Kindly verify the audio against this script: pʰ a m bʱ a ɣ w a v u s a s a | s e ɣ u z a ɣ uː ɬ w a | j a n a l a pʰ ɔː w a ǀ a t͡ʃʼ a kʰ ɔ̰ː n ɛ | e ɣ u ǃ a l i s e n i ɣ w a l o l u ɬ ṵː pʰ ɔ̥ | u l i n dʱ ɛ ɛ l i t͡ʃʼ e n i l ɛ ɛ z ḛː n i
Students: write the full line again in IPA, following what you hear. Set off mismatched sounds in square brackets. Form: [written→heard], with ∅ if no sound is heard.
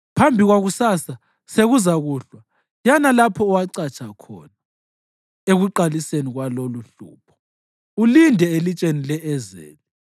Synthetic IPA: pʰ a m bʱ [a→i] ɣ w a [v→ɣ] u s a s a | s e ɣ u z a ɣ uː ɬ w a | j a n a l a pʰ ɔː w a ǀ a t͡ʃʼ a kʰ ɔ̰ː n [ɛ→a] | e ɣ u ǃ a l i s e n i ɣ w a l o l u ɬ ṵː pʰ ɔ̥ | u l i n dʱ ɛ [ɛ→e] l i t͡ʃʼ e n i l ɛ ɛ z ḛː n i